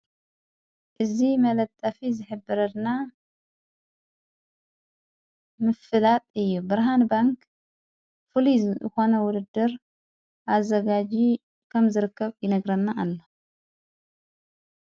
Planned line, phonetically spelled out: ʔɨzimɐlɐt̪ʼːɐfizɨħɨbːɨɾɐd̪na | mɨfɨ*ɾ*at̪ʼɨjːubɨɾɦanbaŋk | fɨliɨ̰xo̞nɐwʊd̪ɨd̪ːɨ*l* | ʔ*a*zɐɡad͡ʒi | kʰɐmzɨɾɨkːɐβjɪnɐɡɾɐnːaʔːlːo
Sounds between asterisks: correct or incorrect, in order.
incorrect: l, incorrect: ɾ, correct

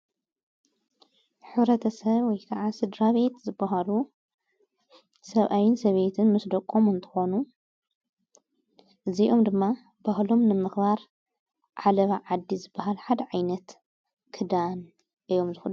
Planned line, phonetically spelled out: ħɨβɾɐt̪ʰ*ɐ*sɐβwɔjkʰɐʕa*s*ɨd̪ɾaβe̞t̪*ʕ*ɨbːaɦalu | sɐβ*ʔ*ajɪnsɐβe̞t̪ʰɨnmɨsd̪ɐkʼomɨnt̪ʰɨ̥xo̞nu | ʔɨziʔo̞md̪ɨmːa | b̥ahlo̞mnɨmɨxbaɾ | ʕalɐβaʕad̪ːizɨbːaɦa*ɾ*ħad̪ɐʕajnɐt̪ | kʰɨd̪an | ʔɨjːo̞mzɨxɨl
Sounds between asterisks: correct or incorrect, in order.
correct, correct, incorrect: z, correct, incorrect: l

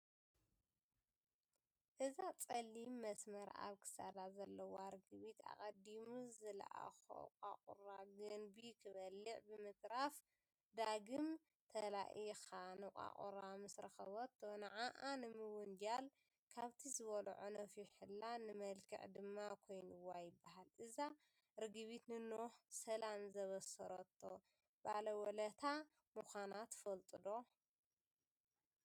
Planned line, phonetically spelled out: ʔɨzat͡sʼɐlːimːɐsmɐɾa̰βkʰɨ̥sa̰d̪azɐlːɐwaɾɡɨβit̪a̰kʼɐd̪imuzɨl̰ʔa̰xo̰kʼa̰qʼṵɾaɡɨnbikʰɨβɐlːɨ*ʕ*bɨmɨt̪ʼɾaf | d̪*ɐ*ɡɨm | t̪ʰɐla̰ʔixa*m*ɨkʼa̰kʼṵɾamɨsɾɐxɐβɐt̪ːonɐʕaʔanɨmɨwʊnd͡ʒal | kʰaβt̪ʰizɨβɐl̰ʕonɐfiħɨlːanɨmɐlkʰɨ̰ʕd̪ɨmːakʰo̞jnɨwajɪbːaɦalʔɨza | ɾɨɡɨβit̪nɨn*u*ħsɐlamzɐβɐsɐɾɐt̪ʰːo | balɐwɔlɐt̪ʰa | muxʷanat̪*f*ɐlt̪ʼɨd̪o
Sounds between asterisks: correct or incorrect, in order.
correct, incorrect: a, incorrect: n, incorrect: o, correct

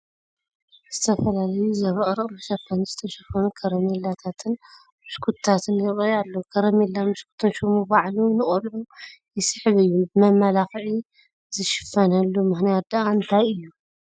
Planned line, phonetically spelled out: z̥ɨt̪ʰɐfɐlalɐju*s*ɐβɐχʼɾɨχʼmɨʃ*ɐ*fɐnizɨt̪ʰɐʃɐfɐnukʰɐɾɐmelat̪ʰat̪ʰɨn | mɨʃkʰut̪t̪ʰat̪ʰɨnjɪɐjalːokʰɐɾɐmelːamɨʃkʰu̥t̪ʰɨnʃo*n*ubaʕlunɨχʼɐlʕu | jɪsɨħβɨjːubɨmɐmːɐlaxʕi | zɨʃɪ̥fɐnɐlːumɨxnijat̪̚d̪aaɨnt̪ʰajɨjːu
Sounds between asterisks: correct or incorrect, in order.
incorrect: z, correct, incorrect: m

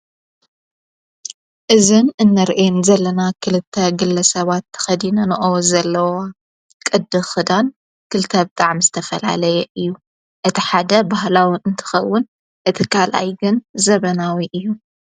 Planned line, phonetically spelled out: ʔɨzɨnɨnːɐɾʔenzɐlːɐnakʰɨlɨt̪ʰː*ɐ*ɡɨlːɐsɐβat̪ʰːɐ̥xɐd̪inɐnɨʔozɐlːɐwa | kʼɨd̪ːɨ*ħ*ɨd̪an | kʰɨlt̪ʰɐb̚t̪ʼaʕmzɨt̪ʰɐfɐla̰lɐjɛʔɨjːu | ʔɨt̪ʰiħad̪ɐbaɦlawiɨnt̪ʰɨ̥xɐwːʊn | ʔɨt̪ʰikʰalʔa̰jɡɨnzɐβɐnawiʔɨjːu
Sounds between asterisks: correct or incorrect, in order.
correct, incorrect: x

